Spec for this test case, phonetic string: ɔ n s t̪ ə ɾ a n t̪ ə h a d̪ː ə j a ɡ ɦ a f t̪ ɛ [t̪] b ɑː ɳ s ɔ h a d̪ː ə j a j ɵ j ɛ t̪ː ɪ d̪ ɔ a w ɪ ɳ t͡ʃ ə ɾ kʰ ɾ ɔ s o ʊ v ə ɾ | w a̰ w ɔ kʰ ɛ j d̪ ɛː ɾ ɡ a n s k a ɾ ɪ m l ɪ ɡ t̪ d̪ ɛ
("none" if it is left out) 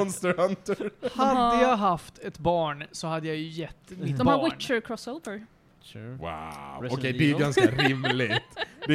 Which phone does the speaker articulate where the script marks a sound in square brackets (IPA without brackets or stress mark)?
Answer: t̪